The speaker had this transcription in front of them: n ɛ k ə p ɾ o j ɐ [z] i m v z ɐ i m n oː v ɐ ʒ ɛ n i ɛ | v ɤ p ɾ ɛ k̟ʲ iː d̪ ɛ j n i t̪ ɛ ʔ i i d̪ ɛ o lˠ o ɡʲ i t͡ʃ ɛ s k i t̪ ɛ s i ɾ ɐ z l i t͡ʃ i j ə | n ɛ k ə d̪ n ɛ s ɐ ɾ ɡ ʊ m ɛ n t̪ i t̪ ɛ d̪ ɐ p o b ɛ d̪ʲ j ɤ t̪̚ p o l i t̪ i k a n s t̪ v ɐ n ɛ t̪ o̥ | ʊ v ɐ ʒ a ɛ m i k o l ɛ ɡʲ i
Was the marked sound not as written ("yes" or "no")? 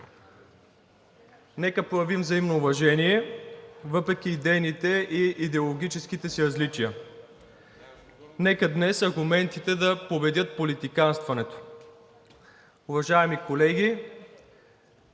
yes